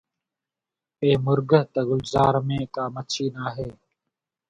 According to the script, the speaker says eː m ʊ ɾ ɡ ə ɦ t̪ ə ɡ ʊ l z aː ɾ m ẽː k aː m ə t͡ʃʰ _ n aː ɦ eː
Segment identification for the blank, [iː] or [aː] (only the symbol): iː